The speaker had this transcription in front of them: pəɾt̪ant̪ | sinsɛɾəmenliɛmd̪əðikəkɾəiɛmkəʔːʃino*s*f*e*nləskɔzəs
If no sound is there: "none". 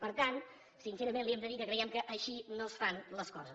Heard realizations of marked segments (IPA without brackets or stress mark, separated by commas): s, a